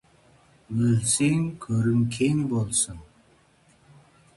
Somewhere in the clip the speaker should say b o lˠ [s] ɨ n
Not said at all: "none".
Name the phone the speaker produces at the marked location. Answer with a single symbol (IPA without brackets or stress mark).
s